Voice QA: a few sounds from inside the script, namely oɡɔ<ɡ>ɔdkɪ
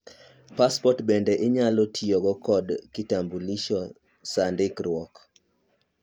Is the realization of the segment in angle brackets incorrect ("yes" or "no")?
yes